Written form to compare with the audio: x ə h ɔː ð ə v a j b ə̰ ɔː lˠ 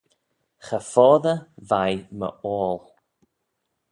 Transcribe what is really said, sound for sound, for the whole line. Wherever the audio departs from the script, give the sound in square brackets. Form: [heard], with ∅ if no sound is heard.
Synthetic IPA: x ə [f] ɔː ð ə v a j [m] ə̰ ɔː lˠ